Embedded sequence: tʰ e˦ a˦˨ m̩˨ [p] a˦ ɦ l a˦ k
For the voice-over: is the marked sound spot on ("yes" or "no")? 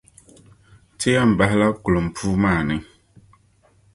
no